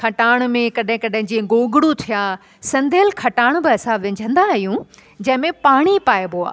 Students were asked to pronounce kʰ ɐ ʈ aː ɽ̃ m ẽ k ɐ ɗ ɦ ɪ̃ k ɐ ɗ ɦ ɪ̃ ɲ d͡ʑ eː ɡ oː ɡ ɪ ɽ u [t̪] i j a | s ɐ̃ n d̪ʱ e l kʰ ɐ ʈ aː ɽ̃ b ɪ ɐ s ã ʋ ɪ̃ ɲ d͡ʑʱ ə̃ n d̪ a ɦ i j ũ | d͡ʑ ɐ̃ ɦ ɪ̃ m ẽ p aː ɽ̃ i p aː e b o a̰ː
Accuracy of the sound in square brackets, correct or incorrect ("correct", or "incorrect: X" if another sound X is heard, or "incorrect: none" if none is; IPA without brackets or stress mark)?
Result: incorrect: t̪ʰ